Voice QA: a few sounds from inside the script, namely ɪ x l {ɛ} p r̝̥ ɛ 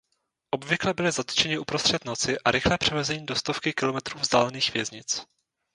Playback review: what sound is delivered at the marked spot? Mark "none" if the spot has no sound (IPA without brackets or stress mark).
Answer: ɛː